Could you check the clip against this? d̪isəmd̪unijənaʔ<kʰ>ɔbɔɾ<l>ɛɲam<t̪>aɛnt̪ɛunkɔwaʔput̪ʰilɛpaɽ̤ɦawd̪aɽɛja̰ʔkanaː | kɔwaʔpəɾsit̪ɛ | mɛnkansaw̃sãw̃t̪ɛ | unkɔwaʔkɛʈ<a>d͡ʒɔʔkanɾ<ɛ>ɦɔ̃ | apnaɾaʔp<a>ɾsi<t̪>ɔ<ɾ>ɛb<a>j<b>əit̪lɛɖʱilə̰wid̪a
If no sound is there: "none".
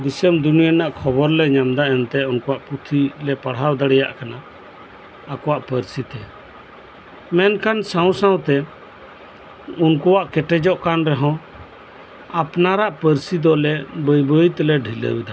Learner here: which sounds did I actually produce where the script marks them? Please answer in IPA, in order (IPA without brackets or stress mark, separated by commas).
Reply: kʰ, l, d̪, ɛ, ɛ, ə, d̪, l, ə, b